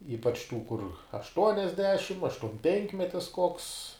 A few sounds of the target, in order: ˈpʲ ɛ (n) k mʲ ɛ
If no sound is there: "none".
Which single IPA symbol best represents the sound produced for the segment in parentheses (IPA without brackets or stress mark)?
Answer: ŋ